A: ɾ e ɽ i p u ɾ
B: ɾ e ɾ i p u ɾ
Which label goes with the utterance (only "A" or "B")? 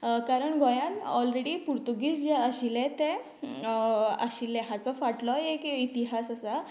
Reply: A